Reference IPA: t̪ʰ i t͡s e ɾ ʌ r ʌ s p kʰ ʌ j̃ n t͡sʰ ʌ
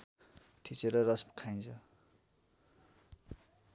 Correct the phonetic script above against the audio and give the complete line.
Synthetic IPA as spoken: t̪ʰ i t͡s e ɾ ʌ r ʌ s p kʰ a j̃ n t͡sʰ ʌ